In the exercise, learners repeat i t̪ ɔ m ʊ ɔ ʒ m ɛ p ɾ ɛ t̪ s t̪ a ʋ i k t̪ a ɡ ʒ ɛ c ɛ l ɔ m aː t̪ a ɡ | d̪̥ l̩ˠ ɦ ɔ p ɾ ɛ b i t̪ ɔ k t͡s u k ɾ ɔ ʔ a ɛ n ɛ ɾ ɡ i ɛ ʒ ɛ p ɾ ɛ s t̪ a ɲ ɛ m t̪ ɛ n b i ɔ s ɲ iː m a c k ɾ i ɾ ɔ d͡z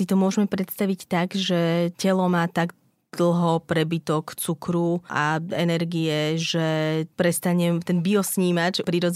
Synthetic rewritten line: i t̪ ɔ m ʊ ɔ ʒ m ɛ p ɾ ɛ t̪ s t̪ a ʋ i c t̪ a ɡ ʒ ɛ c ɛ l ɔ m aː t̪ a ɡ | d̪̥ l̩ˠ ɦ ɔ p ɾ ɛ b i t̪ ɔ k t͡s u k ɾ u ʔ a ɛ n ɛ ɾ ɡ i ɛ ʒ ɛ p ɾ ɛ s t̪ a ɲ ɛ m t̪ ɛ n b i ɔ s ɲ iː m a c p ɾ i ɾ ɔ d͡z